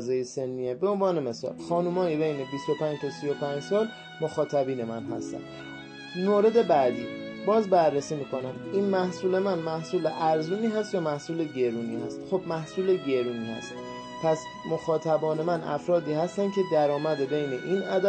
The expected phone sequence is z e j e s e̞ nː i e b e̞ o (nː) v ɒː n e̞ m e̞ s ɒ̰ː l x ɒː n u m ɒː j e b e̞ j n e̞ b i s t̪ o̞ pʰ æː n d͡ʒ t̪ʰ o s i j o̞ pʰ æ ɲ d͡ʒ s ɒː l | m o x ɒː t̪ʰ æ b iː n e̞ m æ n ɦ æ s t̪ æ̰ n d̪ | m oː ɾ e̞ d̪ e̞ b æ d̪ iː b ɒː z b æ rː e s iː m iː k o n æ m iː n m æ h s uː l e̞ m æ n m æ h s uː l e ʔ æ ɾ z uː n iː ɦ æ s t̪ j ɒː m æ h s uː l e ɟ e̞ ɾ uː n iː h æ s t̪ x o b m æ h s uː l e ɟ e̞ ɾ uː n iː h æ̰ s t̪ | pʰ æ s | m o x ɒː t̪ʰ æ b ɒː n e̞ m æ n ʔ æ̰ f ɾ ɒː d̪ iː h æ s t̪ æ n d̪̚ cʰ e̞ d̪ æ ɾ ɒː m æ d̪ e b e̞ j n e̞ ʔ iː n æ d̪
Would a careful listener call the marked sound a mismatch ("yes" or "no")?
yes